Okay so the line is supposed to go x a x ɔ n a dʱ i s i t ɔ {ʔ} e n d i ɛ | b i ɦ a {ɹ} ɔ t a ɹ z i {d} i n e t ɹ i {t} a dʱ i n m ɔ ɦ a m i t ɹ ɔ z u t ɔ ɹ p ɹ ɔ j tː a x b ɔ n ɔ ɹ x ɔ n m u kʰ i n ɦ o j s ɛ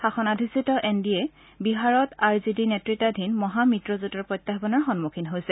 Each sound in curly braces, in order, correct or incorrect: correct, correct, correct, correct

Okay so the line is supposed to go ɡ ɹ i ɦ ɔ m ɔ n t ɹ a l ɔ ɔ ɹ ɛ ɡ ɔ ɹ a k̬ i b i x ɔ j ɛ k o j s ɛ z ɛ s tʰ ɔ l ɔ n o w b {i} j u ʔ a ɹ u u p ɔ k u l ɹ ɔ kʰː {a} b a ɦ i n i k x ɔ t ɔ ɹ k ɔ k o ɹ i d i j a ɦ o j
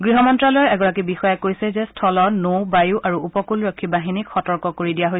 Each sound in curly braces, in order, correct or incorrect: incorrect, incorrect

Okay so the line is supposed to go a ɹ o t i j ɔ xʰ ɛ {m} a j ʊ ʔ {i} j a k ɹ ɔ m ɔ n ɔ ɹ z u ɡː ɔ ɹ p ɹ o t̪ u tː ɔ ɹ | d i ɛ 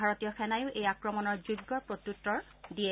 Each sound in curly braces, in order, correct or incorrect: incorrect, incorrect

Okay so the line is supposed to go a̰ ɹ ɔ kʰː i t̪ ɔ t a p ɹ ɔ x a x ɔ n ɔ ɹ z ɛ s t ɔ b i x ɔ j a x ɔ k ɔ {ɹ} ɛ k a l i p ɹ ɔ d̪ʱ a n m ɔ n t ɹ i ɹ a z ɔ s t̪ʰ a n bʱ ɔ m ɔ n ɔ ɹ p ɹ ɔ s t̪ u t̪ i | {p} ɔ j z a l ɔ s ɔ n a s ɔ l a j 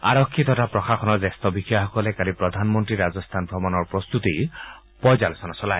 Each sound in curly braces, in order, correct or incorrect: incorrect, correct

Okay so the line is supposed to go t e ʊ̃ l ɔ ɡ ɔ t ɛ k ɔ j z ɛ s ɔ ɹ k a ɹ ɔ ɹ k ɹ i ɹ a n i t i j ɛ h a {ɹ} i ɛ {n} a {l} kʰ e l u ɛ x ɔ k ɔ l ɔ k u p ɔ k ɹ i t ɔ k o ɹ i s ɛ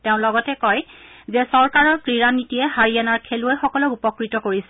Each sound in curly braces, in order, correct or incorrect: correct, correct, incorrect

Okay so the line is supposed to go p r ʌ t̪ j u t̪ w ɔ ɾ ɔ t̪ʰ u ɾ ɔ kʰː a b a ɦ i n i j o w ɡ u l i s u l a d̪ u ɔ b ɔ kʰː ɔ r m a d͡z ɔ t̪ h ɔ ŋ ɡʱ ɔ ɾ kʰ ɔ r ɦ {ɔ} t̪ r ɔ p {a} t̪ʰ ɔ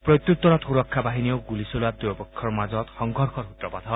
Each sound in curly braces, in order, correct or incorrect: incorrect, correct

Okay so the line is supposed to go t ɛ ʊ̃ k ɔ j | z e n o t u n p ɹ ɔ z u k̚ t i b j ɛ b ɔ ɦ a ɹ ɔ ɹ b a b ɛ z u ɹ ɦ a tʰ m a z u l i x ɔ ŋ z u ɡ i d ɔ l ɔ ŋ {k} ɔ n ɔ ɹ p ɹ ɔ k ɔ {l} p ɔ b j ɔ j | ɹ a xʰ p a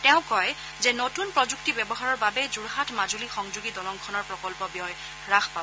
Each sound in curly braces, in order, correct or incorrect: incorrect, correct

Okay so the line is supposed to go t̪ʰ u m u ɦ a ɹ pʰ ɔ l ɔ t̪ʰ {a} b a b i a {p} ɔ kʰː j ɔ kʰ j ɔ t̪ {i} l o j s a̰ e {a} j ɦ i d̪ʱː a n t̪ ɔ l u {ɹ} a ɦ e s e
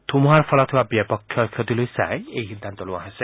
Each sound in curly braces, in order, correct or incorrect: incorrect, correct, correct, incorrect, incorrect

